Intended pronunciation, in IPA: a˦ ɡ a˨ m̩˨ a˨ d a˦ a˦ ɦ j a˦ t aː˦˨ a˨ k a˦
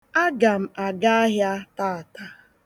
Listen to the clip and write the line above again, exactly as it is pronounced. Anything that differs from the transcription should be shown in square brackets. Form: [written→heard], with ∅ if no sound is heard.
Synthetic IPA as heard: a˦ ɡ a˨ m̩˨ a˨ [d→ɡ] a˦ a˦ ɦ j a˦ t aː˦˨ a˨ [k→t] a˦